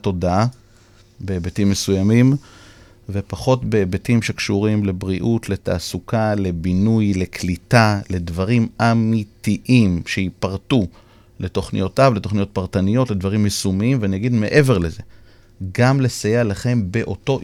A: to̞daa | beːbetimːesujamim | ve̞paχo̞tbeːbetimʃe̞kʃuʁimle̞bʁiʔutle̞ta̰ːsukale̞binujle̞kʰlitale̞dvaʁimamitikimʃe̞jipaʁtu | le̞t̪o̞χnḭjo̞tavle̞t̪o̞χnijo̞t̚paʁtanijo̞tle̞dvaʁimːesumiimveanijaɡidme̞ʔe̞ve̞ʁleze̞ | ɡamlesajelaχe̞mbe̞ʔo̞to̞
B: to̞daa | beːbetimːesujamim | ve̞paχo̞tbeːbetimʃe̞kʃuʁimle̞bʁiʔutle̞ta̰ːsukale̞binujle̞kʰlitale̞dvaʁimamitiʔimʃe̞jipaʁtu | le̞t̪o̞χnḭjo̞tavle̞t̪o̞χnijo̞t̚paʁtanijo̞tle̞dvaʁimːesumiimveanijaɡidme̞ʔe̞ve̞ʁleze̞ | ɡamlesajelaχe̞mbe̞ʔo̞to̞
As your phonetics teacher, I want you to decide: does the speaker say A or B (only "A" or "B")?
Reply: B